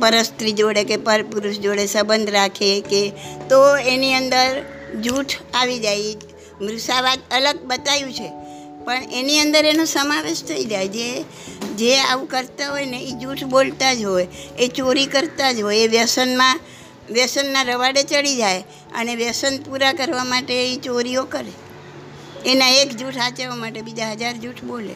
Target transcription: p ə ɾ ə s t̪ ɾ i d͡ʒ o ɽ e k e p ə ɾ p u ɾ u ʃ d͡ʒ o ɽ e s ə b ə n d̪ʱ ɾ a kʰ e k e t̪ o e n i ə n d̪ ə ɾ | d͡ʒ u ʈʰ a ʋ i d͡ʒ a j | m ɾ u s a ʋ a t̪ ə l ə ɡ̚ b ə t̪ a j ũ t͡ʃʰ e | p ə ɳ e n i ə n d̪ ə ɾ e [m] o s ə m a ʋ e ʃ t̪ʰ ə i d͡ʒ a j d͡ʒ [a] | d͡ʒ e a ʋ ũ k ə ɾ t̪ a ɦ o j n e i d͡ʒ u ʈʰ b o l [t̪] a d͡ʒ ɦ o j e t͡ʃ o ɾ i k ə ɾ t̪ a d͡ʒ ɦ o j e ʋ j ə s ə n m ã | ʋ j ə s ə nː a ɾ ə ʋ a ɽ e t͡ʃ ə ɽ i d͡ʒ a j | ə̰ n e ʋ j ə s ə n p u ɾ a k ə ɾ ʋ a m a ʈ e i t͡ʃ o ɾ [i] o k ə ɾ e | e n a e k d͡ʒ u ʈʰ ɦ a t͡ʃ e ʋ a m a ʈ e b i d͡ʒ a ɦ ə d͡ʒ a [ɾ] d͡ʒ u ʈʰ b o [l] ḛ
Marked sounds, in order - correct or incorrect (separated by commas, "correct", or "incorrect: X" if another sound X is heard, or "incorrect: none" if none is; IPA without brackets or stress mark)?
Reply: incorrect: n, incorrect: e, correct, correct, correct, correct